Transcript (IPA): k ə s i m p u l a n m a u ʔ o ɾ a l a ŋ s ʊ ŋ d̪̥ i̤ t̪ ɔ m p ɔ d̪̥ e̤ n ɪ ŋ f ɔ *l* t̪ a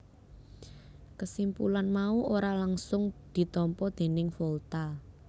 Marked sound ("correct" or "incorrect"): correct